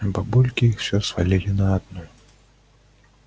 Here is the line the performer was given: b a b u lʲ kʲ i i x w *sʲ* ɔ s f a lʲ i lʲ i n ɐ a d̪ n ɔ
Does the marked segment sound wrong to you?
no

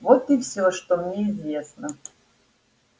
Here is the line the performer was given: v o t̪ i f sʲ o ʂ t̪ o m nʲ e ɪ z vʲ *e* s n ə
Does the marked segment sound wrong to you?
no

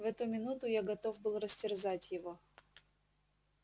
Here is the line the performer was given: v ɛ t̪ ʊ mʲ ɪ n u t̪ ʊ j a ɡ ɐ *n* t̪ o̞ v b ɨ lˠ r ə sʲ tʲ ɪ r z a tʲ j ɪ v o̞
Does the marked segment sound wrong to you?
yes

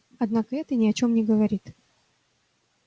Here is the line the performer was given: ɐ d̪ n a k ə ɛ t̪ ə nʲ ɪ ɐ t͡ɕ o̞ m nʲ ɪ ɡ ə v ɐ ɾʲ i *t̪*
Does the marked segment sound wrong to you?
no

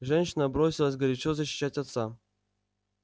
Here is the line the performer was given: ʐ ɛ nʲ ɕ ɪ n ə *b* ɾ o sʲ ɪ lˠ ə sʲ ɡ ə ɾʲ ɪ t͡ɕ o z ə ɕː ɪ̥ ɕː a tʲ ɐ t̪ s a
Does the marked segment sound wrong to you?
no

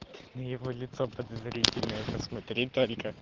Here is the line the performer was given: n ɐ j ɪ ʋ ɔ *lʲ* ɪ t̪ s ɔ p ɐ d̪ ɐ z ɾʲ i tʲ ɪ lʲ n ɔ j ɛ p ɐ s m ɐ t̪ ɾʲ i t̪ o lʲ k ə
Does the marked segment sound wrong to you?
no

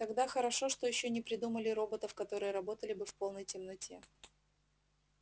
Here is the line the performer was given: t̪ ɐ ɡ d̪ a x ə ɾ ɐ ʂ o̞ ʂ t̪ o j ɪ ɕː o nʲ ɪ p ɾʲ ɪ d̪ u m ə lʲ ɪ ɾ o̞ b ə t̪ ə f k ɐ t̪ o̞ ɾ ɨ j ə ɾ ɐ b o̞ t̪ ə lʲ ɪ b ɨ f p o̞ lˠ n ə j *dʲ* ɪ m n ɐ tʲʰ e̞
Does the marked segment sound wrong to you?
yes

